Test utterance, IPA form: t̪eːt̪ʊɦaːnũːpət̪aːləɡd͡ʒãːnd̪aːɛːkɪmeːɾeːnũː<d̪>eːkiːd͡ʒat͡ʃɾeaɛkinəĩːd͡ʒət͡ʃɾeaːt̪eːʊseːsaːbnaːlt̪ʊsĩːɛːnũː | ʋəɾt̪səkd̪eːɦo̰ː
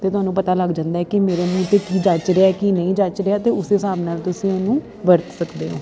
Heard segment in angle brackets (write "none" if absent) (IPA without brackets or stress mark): t̪